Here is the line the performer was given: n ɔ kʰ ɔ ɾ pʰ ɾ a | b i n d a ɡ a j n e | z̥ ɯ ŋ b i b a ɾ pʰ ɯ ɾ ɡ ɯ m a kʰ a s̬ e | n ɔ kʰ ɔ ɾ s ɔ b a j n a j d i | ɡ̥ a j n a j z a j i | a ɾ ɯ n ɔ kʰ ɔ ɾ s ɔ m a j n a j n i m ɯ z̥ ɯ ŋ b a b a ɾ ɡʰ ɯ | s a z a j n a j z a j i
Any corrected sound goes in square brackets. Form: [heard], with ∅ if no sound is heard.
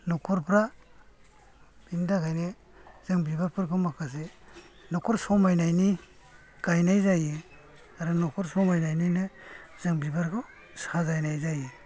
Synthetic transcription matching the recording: n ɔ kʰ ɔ ɾ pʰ ɾ a | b i n d a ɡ a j n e | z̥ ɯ ŋ b i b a ɾ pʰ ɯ ɾ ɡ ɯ m a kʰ a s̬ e | n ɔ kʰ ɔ ɾ s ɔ [m] a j n a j [n] i | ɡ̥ a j n a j z a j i | a ɾ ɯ n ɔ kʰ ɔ ɾ s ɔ m a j n a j n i [n] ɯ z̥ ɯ ŋ b [i] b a ɾ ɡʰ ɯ | s a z a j n a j z a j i

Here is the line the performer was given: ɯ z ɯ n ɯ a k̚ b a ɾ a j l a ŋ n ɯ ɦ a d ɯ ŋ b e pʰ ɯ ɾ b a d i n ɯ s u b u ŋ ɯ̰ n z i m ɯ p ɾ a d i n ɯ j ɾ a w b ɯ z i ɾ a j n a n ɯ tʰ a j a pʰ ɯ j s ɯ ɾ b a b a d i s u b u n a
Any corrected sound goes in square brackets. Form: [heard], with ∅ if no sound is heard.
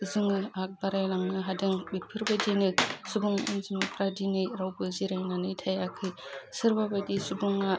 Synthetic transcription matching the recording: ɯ z ɯ [ŋ] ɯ a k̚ b a ɾ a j l a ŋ n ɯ ɦ a d ɯ ŋ b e pʰ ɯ ɾ b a d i n ɯ s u b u ŋ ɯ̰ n z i m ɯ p ɾ a d i n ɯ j ɾ a w b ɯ z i ɾ a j n a n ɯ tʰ a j a [kʰ] ɯ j s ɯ ɾ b a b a d i s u b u [ŋ] a

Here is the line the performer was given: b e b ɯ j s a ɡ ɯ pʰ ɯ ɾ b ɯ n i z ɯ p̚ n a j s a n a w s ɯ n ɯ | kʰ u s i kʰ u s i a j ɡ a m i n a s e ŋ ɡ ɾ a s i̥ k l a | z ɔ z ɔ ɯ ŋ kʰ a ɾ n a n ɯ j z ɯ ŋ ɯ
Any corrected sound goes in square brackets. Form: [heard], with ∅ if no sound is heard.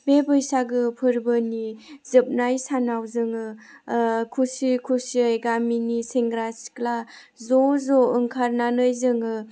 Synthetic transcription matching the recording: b e b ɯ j s a ɡ ɯ pʰ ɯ ɾ b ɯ n i z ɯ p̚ n a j s a n a w [z] ɯ [ŋ] ɯ | kʰ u s i kʰ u s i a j ɡ a m i n [i] s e ŋ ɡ ɾ a s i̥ k l a | z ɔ z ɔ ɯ ŋ kʰ a ɾ n a n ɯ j z ɯ ŋ ɯ

